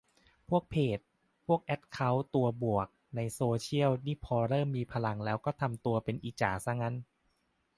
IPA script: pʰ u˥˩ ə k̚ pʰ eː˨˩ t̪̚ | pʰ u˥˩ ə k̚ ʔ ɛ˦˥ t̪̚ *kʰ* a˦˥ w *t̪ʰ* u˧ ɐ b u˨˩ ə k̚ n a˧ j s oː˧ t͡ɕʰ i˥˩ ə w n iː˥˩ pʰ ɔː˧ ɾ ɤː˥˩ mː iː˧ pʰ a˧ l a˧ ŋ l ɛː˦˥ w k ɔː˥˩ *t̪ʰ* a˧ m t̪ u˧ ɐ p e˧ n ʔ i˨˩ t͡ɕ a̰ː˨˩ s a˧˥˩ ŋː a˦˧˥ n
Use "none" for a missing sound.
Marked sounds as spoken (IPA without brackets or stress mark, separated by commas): kʰ, t̪, t̪ʰ